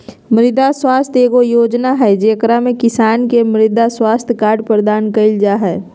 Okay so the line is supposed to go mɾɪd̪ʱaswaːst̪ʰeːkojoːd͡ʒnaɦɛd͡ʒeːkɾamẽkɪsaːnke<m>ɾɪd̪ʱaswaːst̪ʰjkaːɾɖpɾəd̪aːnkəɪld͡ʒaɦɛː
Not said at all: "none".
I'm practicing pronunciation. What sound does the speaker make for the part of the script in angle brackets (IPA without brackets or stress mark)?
m